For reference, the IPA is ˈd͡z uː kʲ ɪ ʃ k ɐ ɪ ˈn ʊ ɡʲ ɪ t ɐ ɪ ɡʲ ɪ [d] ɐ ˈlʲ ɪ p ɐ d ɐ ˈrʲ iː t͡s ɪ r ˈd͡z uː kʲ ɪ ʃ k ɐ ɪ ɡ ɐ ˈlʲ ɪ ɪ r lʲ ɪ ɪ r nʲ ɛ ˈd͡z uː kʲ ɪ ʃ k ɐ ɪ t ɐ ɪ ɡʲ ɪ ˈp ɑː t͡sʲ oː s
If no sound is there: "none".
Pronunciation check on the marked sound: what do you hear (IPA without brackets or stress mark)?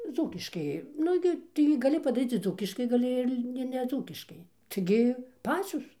ɡ